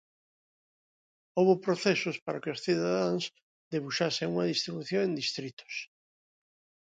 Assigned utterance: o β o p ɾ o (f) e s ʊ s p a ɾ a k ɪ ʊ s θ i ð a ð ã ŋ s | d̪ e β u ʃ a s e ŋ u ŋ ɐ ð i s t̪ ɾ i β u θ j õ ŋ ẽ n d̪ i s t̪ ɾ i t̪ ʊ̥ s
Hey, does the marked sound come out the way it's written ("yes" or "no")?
no